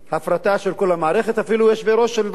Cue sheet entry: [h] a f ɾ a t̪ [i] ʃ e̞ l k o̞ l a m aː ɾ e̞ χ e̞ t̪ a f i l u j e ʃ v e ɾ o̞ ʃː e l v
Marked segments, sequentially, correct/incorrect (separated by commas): correct, incorrect